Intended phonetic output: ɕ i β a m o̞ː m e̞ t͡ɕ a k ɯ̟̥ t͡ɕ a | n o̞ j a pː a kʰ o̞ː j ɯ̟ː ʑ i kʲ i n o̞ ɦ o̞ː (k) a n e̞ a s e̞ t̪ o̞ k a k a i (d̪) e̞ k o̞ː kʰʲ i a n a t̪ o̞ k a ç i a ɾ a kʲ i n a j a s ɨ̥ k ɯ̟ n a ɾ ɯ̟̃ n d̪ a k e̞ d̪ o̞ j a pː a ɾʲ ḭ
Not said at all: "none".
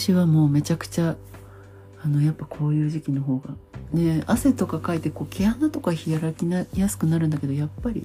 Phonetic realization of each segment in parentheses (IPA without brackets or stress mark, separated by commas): ɡ, t̪